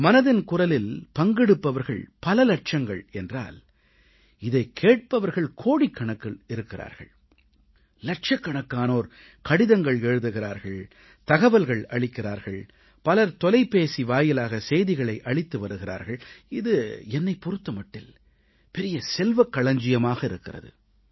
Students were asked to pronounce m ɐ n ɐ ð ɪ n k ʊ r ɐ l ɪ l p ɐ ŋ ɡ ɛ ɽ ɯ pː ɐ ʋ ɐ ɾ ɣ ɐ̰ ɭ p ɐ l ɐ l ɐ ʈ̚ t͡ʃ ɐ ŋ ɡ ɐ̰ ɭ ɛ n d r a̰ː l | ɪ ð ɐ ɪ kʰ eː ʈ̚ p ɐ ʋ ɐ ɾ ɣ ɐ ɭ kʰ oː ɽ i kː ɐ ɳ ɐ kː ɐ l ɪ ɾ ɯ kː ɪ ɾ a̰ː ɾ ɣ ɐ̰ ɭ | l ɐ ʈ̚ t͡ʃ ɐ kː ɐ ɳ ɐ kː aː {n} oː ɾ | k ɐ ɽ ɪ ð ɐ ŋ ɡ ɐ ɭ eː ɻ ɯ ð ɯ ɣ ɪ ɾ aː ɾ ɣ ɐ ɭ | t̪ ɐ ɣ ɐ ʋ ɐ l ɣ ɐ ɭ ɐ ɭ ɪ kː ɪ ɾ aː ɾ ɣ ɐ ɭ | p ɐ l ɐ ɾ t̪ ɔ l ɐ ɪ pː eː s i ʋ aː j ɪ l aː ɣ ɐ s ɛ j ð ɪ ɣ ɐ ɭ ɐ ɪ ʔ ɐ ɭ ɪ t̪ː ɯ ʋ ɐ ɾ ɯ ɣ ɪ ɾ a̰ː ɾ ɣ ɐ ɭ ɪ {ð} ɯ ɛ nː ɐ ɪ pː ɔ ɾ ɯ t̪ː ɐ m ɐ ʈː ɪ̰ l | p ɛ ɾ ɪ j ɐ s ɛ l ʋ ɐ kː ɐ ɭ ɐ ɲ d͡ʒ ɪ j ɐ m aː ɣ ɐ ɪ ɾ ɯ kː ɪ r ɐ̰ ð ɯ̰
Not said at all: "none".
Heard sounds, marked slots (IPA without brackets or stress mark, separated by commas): n, ð